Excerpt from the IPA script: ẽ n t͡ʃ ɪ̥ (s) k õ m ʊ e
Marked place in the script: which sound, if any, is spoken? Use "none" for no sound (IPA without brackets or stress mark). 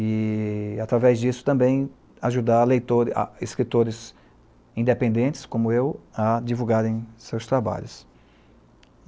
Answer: s